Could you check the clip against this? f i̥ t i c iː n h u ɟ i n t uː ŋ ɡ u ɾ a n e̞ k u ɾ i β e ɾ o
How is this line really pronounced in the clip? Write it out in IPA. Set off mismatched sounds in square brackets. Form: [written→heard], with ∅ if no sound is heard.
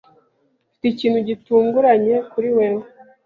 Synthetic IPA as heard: f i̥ t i c iː n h u ɟ i [n→∅] t uː ŋ ɡ u ɾ a [n→ɲ] e̞ k u ɾ i [β→w] e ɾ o